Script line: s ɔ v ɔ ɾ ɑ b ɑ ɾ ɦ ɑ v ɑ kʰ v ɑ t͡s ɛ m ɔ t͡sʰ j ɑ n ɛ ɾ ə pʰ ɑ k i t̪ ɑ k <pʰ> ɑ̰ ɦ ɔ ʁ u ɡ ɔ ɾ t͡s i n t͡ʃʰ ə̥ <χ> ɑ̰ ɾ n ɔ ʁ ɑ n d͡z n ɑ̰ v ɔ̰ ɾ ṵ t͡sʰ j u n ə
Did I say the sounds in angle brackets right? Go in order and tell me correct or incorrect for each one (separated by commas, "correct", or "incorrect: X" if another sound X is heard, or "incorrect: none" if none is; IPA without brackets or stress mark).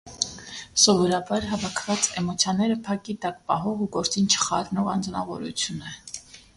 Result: incorrect: p, correct